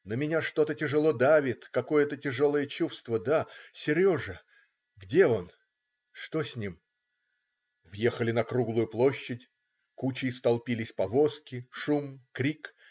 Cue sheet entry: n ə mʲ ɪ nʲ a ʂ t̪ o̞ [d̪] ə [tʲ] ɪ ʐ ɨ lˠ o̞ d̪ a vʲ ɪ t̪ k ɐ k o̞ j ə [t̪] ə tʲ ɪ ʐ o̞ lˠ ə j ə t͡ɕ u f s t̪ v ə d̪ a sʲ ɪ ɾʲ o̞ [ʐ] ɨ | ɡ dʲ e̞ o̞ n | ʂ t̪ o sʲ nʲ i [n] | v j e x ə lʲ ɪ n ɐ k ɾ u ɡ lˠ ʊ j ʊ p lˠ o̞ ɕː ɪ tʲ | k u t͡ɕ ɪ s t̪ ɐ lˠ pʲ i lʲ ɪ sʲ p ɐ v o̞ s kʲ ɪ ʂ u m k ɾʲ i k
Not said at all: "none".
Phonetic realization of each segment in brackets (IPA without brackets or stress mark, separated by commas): t̪, tʲ, t̪, ʐ, m